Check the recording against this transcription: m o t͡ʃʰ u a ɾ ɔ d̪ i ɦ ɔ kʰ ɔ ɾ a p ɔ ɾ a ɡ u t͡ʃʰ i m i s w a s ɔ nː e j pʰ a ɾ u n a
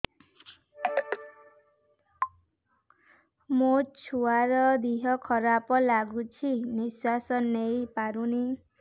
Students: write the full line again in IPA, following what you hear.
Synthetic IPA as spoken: m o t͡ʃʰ u a ɾ ɔ d̪ i ɦ ɔ kʰ ɔ ɾ a p ɔ l a ɡ u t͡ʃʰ i n i s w a s ɔ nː e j p a ɾ u n i